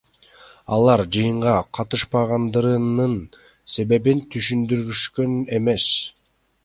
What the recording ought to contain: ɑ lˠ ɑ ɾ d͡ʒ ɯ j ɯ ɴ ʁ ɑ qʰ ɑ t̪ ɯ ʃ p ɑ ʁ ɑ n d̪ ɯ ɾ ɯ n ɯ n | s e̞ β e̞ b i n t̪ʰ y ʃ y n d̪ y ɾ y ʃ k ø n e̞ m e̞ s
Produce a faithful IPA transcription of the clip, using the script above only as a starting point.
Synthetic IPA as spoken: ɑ lˠ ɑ ɾ d͡ʒ ɯ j ɯ ɴ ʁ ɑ qʰ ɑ t̪ ɯ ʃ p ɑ ʁ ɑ n d̪ ɯ ɾ ɯ n ɯ n | s e̞ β e̞ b i n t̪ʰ y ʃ y n d̪ y ɾ y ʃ k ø n e̞ m e̞ s